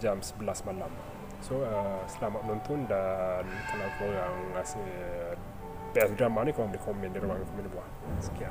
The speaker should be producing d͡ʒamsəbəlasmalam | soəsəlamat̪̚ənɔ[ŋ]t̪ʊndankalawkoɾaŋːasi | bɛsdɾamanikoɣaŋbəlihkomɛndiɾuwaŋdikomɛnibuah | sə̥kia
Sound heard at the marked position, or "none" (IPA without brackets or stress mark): n